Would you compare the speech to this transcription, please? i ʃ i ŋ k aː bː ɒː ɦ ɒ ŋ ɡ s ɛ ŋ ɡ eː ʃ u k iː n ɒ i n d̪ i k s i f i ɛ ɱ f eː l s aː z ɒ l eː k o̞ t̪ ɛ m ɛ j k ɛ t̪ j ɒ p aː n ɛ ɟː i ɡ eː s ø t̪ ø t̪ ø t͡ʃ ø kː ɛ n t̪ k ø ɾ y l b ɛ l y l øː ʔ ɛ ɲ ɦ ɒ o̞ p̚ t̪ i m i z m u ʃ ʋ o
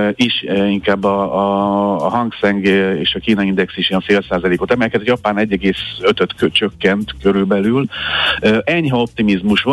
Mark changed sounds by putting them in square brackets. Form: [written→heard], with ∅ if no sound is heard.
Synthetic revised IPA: i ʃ i ŋ k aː bː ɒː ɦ ɒ ŋ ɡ s ɛ ŋ ɡ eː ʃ [u→ɒ] k iː n ɒ i n d̪ [i→ɛ] k s i [f→ʃ] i ɛ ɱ f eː l s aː z ɒ l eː k o̞ t̪ ɛ m ɛ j k ɛ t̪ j ɒ p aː n ɛ ɟː [i→ɛ] ɡ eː s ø t̪ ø t̪ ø t͡ʃ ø kː ɛ n t̪ k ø ɾ y l b ɛ l y l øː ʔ ɛ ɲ ɦ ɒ o̞ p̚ t̪ i m i z m u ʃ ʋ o